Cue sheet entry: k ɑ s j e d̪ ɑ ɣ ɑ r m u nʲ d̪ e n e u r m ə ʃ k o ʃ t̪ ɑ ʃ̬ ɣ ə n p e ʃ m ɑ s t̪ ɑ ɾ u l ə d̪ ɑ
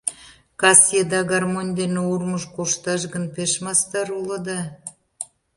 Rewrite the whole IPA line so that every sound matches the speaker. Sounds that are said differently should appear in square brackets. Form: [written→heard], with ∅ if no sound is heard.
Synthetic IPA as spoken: k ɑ s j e d̪ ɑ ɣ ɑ r m [u→o] nʲ d̪ e n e u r m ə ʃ k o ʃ t̪ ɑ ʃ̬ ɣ ə n p e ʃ m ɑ s t̪ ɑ ɾ u l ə d̪ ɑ